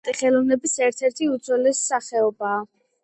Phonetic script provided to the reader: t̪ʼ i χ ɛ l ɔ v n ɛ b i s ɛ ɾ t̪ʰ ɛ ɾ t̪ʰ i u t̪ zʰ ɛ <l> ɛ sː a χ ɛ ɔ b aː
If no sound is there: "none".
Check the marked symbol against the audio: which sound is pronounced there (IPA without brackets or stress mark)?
l